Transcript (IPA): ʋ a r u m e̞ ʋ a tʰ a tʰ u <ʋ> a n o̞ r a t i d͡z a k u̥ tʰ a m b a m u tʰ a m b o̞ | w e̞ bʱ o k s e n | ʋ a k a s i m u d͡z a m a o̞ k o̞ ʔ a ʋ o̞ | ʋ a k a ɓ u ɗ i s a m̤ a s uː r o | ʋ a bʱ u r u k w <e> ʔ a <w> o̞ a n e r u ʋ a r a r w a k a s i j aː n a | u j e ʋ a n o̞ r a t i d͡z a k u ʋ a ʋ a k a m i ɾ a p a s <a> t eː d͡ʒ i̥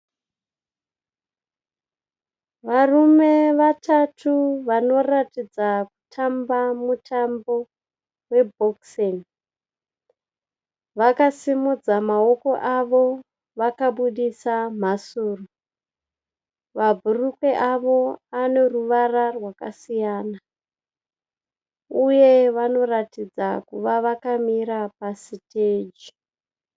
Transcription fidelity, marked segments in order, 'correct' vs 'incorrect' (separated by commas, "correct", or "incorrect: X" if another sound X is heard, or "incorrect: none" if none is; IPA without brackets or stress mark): correct, correct, incorrect: ʋ, incorrect: i